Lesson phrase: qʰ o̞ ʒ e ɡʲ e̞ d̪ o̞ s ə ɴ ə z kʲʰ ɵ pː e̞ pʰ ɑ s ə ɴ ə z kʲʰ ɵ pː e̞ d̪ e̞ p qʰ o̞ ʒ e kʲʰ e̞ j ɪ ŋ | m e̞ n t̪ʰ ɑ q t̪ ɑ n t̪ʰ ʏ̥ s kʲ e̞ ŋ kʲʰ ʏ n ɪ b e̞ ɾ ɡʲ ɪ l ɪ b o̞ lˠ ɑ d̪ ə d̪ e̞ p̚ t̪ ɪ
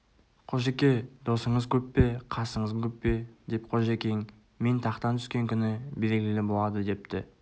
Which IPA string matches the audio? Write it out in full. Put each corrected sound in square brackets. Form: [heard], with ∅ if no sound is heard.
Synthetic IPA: qʰ o̞ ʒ e [kʲ] e̞ d̪ o̞ s ə ɴ ə z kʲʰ ɵ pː e̞ [qʰ] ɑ s ə ɴ ə z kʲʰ ɵ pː e̞ d̪ e̞ p qʰ o̞ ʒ e [kʲ] e̞ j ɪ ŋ | m e̞ n t̪ʰ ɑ q t̪ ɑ n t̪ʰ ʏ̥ s kʲ e̞ ŋ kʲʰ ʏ n ɪ b e̞ ɾ ɡʲ ɪ l ɪ b o̞ lˠ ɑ d̪ ə d̪ e̞ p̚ t̪ ɪ